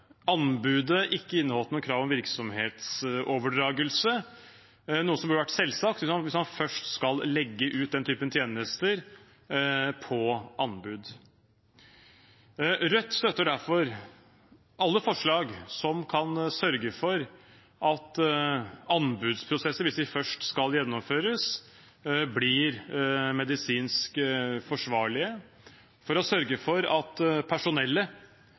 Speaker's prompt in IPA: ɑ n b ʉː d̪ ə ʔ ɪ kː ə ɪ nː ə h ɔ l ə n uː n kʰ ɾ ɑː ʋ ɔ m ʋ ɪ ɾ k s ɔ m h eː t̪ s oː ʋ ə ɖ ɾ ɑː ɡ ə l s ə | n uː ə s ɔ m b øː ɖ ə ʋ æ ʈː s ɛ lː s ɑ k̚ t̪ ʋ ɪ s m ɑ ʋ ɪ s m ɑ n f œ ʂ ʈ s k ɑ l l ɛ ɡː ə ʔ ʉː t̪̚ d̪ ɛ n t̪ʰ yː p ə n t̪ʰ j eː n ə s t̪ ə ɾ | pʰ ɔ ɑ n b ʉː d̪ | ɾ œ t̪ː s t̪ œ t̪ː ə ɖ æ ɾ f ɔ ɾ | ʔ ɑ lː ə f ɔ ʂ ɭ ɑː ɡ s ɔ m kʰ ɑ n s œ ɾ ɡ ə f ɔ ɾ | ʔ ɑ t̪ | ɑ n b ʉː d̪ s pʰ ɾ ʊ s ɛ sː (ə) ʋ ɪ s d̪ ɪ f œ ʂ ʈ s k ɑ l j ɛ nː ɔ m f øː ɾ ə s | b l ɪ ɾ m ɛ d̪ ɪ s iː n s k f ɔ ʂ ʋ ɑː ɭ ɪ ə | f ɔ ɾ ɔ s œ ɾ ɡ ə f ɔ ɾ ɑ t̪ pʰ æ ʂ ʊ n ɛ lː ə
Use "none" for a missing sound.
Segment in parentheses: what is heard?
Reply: ə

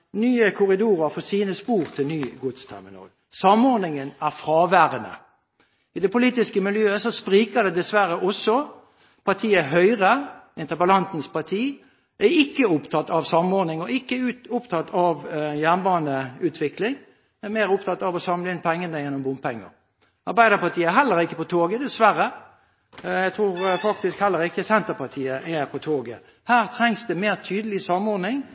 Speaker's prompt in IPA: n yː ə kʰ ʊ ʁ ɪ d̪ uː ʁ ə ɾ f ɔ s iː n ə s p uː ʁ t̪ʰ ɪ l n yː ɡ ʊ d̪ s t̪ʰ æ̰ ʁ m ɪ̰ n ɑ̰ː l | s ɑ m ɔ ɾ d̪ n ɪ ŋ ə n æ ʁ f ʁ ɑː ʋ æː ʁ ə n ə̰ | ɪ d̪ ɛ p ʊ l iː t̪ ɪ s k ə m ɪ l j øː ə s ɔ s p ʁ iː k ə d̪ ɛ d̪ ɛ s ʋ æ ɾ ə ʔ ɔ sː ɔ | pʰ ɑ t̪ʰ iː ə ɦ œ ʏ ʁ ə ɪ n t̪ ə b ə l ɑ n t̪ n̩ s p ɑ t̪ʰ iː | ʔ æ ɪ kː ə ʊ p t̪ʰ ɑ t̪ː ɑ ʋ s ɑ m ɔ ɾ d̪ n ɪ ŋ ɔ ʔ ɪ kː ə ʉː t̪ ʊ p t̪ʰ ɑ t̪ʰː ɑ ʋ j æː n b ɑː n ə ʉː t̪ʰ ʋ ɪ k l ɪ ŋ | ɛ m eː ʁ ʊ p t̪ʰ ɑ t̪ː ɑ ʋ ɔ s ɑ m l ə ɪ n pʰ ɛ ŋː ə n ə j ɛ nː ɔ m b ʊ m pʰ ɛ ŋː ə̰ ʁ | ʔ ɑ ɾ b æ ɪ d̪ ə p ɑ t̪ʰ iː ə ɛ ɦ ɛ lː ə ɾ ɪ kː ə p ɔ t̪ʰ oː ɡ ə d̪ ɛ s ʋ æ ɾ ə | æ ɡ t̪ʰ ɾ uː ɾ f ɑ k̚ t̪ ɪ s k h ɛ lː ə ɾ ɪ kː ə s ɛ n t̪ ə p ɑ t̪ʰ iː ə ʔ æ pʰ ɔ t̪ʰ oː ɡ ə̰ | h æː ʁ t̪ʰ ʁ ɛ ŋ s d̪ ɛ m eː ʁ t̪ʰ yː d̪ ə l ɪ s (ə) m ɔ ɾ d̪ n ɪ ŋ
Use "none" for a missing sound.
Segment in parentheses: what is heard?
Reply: ɑ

